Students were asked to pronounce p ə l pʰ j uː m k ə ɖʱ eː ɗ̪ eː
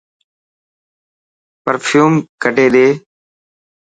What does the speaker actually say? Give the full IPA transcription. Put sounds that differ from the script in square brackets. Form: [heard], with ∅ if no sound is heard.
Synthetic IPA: p ə [ɾ] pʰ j uː m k ə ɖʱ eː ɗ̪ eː